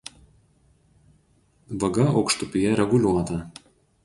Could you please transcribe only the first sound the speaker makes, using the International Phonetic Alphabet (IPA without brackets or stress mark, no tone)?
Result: ʋ